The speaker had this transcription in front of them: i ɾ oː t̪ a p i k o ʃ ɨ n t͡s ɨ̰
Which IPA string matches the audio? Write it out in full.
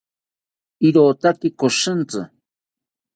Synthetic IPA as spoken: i ɾ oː t̪ a k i k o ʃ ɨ n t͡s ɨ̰